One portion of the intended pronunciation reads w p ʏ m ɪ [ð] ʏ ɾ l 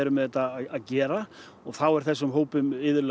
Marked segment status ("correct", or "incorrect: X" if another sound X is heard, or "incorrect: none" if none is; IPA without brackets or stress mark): correct